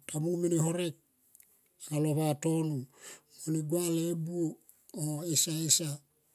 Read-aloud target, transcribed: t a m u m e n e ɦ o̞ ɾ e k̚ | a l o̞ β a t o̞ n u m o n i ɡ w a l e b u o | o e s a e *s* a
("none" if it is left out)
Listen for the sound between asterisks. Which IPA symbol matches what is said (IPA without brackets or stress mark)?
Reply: s